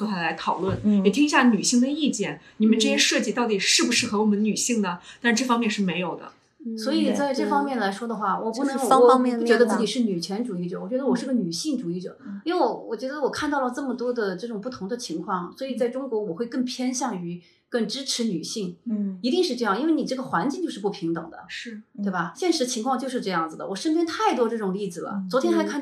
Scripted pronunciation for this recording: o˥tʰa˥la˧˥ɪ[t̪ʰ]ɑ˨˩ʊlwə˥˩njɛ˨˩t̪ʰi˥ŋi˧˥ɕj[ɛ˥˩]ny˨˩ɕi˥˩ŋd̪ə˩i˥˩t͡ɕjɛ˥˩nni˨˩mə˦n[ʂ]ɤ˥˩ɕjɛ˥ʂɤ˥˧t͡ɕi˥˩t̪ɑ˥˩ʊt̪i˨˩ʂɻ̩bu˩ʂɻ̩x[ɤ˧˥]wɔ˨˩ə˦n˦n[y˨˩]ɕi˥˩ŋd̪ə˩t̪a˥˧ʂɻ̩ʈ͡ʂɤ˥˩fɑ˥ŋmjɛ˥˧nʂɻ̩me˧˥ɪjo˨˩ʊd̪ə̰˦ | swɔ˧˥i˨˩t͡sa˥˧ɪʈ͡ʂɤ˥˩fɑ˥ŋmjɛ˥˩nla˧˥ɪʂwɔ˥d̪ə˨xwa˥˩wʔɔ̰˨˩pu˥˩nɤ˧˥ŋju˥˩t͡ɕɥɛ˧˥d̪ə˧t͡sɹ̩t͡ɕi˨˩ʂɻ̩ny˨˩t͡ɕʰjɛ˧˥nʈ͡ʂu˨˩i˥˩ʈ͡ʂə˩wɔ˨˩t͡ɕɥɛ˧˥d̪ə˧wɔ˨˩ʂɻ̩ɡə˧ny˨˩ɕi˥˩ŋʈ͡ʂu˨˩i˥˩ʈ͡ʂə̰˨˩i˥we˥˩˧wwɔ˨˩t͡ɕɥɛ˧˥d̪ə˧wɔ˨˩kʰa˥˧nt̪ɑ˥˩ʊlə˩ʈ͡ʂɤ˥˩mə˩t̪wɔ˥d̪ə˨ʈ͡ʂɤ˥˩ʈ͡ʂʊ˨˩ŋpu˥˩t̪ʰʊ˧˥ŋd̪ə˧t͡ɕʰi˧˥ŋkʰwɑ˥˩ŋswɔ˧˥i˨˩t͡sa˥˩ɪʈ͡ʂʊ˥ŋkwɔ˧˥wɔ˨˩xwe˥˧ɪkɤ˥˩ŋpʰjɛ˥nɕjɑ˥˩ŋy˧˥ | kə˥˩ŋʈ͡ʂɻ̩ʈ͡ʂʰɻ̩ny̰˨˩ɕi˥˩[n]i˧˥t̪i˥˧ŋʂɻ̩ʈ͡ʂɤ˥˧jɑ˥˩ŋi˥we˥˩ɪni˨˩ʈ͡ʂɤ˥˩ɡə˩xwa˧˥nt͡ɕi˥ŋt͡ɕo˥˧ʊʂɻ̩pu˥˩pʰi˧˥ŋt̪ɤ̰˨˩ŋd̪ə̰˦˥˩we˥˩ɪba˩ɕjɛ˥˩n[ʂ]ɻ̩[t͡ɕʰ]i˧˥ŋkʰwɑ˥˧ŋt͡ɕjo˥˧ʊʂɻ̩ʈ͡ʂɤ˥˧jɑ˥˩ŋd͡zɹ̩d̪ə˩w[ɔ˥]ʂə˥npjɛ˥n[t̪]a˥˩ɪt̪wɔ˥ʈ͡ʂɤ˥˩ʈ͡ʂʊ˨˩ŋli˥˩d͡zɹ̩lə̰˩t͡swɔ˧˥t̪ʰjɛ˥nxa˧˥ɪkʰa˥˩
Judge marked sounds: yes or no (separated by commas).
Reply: yes, no, no, yes, yes, no, yes, yes, no, no